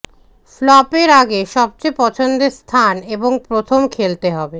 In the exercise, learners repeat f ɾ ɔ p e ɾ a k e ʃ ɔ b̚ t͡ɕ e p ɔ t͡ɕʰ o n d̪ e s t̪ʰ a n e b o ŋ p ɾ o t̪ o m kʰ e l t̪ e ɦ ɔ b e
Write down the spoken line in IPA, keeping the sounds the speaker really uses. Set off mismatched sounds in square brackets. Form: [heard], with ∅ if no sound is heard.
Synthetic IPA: f [l] ɔ p e ɾ a [ɡ] e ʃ ɔ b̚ t͡ɕ e p ɔ t͡ɕʰ o n d̪ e s t̪ʰ a n e b o ŋ p ɾ o [t̪ʰ] o m kʰ e l t̪ e ɦ ɔ b e